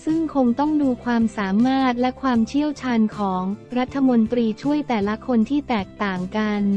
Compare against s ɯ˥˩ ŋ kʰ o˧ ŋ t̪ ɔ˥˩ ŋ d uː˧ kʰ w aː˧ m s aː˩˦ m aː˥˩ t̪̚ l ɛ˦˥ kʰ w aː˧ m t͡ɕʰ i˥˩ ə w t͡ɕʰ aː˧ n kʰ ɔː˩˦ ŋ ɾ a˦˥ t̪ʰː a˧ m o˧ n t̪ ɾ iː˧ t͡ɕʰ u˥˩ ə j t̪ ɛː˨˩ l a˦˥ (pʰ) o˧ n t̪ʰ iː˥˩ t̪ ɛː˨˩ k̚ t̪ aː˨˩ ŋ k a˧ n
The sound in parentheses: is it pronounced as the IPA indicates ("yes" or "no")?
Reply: no